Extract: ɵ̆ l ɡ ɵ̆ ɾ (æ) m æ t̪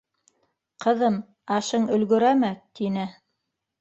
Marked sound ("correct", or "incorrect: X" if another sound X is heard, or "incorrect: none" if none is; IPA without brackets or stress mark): correct